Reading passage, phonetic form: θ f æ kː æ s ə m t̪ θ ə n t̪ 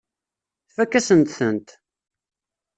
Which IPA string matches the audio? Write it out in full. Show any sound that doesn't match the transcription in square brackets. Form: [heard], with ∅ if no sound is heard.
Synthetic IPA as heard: θ f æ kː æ s ə [n] t̪ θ ə n t̪